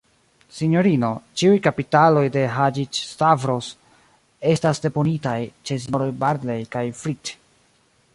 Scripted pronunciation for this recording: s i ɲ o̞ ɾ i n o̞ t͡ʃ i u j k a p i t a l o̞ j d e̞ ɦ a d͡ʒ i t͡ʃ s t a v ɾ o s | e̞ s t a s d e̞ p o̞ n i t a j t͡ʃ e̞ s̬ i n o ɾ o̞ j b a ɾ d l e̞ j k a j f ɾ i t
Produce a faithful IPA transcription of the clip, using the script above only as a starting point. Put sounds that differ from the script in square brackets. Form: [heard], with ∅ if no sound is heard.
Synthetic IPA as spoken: s i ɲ o̞ ɾ i n o̞ t͡ʃ i u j k a p i t a l o̞ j d e̞ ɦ a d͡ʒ i t͡ʃ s t a v ɾ o s | e̞ s t a s d e̞ p o̞ n i t a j t͡ʃ e̞ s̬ i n o ɾ o̞ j b a ɾ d l e̞ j k a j f ɾ i t